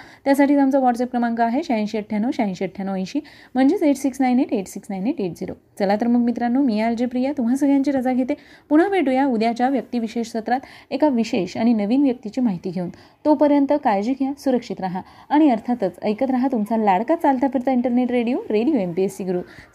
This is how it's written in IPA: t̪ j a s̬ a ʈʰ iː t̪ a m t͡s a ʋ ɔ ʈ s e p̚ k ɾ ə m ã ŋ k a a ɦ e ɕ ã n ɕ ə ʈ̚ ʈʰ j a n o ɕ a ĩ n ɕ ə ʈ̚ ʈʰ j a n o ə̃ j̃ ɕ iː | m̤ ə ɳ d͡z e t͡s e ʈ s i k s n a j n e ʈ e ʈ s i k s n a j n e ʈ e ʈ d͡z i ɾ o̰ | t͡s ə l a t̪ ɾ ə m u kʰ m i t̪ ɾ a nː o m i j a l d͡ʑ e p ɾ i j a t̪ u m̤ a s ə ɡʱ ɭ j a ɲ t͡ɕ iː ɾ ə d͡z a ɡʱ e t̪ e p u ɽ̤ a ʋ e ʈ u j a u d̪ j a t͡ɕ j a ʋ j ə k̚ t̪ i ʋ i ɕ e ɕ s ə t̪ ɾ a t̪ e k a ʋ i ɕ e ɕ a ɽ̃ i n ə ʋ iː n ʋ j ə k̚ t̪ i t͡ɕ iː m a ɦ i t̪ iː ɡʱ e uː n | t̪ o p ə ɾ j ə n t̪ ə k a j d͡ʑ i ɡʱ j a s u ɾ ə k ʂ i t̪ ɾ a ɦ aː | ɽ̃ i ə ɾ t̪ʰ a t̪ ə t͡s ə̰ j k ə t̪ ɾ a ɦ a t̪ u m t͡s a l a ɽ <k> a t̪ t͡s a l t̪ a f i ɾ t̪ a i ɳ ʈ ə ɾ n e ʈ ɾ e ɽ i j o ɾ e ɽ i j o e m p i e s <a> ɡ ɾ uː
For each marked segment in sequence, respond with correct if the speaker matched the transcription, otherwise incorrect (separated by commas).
correct, incorrect